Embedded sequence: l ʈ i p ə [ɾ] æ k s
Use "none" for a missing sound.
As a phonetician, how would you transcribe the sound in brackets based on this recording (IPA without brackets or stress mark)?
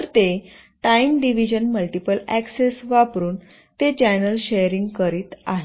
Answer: l